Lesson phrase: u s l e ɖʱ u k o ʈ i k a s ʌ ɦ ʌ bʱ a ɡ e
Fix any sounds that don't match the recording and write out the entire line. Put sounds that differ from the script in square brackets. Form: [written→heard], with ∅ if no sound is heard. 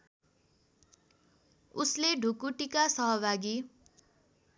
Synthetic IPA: u s l e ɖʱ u k [o→u] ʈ i k a s ʌ ɦ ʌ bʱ a ɡ [e→i]